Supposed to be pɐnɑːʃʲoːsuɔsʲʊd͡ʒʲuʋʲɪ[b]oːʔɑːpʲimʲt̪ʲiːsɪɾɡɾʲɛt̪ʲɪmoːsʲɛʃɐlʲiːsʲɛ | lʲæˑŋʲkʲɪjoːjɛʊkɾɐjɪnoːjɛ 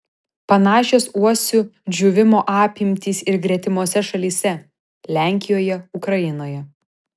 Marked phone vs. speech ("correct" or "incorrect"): incorrect